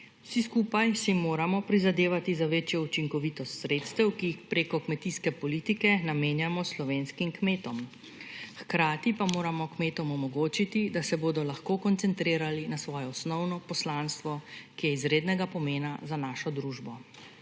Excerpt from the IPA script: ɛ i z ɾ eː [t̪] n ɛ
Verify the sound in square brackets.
incorrect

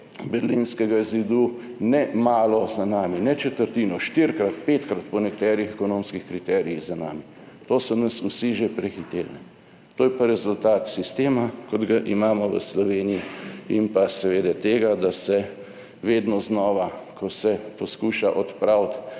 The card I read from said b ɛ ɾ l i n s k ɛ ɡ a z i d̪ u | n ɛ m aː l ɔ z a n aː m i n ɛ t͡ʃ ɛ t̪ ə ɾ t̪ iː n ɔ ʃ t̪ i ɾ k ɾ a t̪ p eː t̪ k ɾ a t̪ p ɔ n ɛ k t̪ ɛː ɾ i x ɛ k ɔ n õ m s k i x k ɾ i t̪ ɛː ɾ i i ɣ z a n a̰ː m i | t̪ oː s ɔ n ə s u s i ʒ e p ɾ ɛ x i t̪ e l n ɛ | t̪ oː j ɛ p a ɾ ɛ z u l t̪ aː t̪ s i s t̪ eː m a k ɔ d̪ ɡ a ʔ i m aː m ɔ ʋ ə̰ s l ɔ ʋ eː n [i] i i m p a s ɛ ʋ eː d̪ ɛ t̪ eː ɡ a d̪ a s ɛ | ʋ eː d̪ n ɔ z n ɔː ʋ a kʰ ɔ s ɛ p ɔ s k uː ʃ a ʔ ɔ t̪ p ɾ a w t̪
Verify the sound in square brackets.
correct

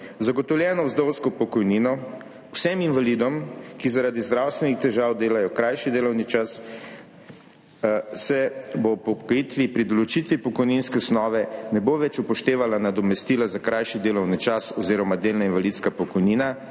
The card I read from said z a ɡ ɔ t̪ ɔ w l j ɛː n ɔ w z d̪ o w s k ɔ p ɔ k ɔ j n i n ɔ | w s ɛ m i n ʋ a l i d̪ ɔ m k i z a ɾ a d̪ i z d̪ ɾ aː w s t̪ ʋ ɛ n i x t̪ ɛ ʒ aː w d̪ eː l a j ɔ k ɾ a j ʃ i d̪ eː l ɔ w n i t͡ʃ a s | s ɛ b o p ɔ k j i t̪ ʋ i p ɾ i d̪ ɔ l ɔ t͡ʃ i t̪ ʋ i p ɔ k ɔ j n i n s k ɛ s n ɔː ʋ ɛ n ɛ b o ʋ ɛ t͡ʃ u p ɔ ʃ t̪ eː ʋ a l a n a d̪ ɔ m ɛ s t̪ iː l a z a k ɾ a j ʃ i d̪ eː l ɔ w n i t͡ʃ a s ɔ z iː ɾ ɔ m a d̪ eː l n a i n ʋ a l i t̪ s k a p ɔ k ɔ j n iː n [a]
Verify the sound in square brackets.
correct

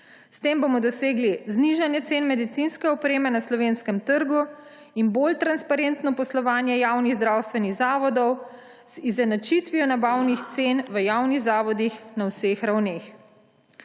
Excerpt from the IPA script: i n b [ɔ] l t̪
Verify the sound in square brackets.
incorrect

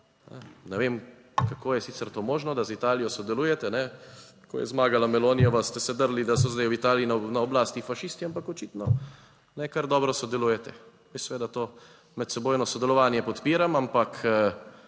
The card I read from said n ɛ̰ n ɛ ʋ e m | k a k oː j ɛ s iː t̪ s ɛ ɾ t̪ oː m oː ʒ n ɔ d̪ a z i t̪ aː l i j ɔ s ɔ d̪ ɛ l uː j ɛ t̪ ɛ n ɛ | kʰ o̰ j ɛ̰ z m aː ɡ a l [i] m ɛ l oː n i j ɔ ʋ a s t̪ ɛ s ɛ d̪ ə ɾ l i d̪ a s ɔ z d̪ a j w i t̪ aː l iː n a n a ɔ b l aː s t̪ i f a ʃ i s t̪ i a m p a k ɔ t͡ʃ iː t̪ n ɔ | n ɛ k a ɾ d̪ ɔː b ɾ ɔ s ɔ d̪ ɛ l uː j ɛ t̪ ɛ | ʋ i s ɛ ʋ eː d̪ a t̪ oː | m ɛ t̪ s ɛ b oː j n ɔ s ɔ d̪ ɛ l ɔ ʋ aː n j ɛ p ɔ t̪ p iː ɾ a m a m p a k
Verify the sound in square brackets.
incorrect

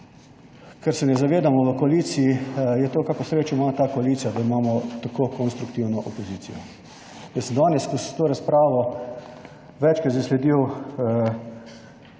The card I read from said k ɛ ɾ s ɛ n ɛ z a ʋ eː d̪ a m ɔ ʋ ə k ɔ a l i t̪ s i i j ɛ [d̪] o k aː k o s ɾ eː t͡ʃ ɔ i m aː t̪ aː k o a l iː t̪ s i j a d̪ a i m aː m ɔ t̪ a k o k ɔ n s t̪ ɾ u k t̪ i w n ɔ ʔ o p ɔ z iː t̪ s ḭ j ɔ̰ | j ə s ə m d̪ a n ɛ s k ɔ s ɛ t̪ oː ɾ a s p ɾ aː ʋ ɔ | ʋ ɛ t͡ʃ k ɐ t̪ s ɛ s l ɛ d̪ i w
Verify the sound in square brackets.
incorrect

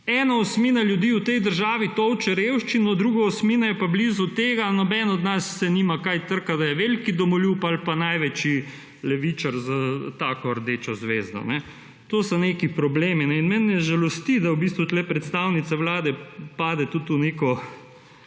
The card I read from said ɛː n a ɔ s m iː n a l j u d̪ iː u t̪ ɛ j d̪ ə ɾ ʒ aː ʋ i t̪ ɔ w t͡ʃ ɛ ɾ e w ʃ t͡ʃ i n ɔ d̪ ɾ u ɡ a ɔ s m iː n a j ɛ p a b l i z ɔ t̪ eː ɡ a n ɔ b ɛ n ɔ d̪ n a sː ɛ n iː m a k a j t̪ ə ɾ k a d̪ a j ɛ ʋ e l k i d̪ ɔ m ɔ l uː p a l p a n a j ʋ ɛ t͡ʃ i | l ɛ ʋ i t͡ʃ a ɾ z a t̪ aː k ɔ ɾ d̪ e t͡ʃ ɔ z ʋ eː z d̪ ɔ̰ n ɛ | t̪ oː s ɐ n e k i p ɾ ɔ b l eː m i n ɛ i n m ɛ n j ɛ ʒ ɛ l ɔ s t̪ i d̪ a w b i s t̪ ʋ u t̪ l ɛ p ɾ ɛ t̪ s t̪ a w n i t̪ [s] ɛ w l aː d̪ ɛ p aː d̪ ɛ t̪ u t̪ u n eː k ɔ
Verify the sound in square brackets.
correct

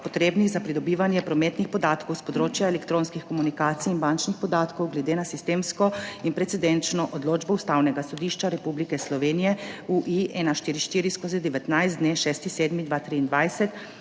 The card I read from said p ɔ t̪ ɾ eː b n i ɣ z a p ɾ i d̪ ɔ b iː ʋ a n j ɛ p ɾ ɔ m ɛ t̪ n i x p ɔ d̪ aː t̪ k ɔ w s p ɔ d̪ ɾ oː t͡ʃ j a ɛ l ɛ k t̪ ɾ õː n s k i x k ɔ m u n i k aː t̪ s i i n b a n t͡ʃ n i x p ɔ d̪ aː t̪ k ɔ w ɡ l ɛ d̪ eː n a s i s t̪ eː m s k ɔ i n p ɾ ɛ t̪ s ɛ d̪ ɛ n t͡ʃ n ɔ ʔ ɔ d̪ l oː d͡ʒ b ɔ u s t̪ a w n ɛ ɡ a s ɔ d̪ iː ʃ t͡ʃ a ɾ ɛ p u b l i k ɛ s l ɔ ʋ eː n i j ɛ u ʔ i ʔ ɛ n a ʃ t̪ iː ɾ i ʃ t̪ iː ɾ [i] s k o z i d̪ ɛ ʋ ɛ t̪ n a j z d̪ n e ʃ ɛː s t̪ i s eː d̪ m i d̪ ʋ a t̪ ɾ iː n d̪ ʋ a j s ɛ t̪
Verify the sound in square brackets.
correct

